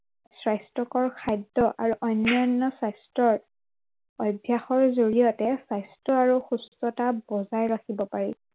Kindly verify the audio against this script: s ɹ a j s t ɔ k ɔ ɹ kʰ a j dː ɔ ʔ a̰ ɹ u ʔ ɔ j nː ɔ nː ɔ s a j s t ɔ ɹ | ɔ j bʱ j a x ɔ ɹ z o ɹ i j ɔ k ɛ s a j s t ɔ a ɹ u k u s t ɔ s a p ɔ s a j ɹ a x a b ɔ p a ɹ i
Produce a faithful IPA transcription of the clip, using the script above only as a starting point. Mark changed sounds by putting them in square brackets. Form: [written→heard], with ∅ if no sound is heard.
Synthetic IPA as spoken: s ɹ a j s t ɔ k ɔ ɹ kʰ a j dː ɔ ʔ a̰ ɹ u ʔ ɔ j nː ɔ nː ɔ s a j s t ɔ ɹ | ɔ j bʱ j a x ɔ ɹ z o ɹ i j ɔ [k→t] ɛ s a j s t ɔ a ɹ u [k→x] u s t ɔ [s→t] a [p→b] ɔ [s→z] a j ɹ a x [a→i] b ɔ p a ɹ i